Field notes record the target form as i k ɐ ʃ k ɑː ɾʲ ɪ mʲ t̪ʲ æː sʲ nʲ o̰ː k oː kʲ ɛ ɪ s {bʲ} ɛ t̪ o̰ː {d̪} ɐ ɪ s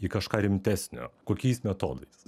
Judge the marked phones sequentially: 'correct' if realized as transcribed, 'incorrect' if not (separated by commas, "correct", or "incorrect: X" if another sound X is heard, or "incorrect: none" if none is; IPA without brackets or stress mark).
incorrect: mʲ, correct